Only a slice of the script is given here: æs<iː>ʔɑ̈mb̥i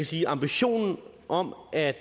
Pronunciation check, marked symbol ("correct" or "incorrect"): correct